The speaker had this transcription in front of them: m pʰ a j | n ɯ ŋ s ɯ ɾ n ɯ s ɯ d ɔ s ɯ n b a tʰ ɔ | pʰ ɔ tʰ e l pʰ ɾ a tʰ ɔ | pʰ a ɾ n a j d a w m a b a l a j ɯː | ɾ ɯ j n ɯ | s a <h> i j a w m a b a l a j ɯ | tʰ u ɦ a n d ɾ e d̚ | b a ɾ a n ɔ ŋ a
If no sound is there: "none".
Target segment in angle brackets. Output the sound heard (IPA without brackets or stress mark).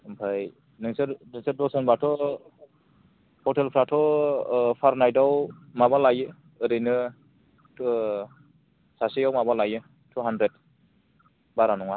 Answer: s